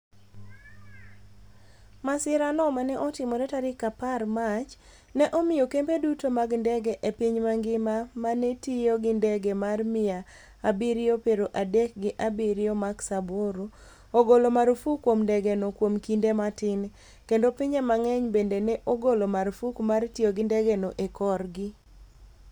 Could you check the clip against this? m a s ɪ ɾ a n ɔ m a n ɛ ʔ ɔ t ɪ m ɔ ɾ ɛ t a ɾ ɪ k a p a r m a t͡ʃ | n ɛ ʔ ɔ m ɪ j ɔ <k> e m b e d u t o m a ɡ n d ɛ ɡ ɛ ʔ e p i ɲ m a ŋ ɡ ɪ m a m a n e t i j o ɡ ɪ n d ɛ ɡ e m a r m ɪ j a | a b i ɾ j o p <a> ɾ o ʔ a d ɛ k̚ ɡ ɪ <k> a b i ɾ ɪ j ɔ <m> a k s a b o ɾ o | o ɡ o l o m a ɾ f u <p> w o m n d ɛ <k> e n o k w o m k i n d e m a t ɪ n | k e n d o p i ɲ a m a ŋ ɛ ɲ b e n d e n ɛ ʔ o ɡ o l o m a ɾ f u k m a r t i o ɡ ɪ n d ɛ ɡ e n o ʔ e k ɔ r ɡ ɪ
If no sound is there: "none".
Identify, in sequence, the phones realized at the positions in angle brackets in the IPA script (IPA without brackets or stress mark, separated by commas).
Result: k, e, ʔ, m, k, ɡ